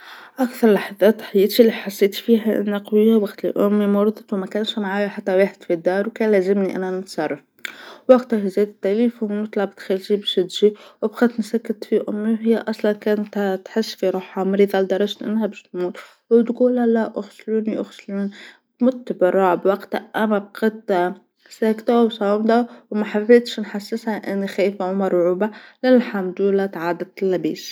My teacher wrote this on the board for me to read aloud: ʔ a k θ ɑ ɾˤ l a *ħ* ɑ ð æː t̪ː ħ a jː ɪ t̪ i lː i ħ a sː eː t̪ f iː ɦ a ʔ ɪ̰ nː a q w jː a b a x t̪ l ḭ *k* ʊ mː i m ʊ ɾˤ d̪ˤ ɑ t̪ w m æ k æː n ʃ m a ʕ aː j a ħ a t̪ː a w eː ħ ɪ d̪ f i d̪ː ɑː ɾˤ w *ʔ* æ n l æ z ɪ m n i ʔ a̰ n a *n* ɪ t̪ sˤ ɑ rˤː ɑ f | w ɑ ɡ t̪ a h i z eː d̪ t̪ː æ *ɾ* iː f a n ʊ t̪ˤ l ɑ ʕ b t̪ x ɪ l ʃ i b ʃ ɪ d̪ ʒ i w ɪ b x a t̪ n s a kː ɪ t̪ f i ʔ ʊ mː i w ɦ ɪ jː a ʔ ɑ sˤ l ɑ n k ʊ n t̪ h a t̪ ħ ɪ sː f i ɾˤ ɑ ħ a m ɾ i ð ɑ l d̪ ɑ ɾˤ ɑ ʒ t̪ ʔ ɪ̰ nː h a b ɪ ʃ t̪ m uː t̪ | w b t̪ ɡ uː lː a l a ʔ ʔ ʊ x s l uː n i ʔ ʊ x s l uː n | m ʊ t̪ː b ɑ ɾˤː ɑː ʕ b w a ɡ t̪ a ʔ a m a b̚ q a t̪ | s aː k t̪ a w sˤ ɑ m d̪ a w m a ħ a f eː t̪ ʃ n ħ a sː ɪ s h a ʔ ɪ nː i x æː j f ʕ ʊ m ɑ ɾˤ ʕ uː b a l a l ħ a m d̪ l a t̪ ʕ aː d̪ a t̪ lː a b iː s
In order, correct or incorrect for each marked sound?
correct, incorrect, incorrect, correct, incorrect

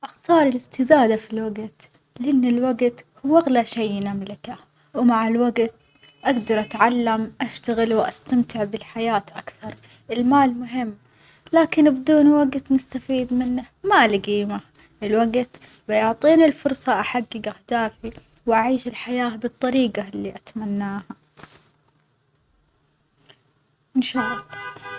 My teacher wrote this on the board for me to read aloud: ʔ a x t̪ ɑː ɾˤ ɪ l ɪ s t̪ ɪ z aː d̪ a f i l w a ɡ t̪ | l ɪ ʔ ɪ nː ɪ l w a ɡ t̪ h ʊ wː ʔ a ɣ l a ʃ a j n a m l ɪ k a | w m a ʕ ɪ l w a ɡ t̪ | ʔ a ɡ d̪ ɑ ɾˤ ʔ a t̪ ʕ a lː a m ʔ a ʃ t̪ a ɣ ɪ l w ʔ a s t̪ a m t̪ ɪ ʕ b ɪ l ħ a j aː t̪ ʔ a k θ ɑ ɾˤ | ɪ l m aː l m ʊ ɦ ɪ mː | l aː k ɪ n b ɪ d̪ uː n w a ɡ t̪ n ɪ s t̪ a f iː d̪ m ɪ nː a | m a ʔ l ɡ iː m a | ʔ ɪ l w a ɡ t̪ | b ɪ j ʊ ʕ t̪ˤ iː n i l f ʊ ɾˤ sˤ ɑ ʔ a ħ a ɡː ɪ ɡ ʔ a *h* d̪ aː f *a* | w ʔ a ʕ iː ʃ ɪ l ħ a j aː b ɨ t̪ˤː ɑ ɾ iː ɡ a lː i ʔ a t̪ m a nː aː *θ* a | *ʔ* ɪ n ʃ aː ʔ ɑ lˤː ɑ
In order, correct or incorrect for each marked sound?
correct, incorrect, incorrect, correct

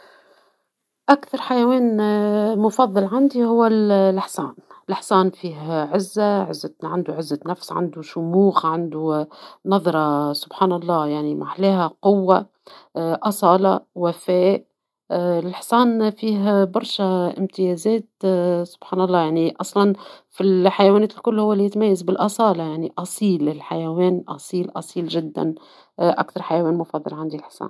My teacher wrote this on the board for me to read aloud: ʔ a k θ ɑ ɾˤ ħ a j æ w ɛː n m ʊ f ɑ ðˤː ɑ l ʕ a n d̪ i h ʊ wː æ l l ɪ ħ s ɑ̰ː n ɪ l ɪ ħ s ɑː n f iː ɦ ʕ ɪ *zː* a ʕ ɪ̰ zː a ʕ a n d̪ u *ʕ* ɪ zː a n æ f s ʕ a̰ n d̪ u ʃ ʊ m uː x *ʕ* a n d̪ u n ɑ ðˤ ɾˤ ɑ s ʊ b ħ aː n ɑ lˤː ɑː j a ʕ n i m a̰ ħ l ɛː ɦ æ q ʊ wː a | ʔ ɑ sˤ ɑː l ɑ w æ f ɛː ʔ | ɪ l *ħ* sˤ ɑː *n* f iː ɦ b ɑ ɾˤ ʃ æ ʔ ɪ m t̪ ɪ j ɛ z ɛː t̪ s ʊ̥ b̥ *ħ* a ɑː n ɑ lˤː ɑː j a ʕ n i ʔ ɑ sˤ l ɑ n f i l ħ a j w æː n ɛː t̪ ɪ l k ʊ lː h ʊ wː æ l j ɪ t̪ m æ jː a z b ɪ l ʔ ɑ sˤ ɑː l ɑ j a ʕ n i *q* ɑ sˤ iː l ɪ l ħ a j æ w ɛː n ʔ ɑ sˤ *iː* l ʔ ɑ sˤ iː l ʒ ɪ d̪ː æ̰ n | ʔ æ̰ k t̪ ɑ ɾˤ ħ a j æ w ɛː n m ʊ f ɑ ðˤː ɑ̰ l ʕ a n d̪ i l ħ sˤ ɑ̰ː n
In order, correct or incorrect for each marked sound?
correct, correct, correct, correct, correct, correct, incorrect, correct

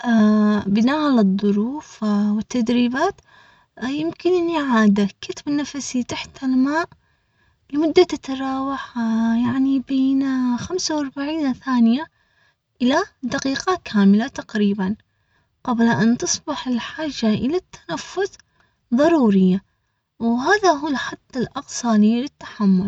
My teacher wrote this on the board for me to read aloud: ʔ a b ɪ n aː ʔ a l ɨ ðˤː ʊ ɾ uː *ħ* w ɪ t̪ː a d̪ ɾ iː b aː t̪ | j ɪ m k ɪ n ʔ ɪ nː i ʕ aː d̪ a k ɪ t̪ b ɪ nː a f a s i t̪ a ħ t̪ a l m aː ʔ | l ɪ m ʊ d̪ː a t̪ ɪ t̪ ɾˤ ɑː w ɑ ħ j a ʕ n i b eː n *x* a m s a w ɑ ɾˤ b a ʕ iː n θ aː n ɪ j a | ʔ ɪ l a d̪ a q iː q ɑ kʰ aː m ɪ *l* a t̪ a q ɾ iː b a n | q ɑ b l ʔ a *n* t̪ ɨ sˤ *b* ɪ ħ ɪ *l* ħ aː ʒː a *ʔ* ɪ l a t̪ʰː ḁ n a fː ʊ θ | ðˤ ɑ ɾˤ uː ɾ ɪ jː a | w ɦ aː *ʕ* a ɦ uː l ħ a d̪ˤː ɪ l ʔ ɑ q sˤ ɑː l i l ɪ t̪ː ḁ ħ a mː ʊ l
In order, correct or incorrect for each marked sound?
incorrect, correct, correct, correct, correct, correct, correct, incorrect

